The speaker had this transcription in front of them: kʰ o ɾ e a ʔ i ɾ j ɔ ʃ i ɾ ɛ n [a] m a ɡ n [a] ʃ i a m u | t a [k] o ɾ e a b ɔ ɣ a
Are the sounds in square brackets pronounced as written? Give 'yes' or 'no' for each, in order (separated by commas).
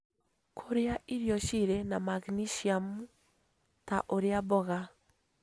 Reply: yes, no, no